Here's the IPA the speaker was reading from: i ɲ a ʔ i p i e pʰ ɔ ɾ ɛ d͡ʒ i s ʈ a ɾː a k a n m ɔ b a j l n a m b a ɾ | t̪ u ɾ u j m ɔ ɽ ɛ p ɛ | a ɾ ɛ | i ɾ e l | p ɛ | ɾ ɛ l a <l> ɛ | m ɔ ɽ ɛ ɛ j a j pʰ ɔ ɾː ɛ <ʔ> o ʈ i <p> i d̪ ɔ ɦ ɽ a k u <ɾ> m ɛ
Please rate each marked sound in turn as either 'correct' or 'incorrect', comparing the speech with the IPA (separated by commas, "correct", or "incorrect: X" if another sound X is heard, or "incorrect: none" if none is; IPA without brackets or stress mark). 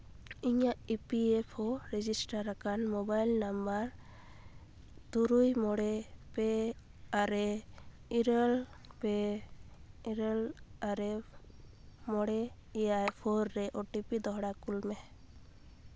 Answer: incorrect: ɾ, correct, correct, incorrect: l